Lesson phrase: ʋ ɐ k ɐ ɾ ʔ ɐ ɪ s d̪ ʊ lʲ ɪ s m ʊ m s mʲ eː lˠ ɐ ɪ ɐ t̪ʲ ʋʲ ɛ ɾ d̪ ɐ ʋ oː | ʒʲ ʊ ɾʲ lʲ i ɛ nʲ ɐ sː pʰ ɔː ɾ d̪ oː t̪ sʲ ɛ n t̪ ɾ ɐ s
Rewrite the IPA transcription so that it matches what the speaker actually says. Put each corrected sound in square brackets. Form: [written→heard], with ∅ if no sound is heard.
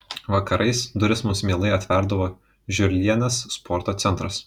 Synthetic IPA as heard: ʋ ɐ k ɐ ɾ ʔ ɐ ɪ s d̪ ʊ [lʲ→ɾʲ] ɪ s m ʊ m s mʲ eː lˠ ɐ ɪ ɐ t̪ʲ ʋʲ ɛ ɾ d̪ ɐ ʋ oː | ʒʲ ʊ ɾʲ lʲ i ɛ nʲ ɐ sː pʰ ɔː ɾ [d̪→t̪] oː t̪ sʲ ɛ n t̪ ɾ ɐ s

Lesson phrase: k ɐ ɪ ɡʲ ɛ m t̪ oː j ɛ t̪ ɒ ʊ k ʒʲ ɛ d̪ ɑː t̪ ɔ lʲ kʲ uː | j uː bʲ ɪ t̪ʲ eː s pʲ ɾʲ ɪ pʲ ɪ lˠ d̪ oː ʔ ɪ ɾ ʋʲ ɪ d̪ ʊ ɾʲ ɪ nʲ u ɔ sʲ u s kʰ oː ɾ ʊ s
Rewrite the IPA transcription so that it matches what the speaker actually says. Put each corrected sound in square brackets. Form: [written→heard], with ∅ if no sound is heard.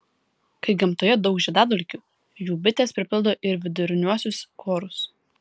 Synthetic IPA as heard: k ɐ ɪ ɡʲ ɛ m t̪ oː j ɛ [t̪→d̪] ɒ ʊ k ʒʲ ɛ d̪ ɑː [t̪→d̪] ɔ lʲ kʲ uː | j uː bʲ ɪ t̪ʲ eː s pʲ ɾʲ ɪ pʲ ɪ lˠ d̪ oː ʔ ɪ ɾ ʋʲ ɪ d̪ ʊ ɾʲ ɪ nʲ u ɔ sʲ [u→ʊ] s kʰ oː ɾ ʊ s

